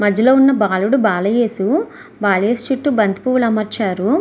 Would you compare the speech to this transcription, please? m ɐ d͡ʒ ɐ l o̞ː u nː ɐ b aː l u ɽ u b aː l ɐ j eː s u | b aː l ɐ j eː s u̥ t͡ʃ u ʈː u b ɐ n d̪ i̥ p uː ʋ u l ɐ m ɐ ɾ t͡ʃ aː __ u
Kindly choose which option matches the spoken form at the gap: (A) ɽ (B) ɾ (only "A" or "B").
B